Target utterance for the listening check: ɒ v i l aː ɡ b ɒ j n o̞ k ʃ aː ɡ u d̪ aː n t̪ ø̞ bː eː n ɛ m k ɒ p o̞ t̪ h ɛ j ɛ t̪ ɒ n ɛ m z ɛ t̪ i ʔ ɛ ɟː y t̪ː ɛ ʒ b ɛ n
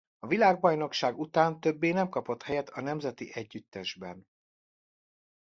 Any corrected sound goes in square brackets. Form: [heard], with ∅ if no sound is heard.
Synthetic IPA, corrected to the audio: ɒ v i l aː ɡ b ɒ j n o̞ k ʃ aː ɡ u [t̪] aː n t̪ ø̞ bː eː n ɛ m k ɒ p o̞ t̪ h ɛ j ɛ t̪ ɒ n ɛ m z ɛ t̪ i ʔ ɛ ɟː y t̪ː ɛ ʒ b ɛ n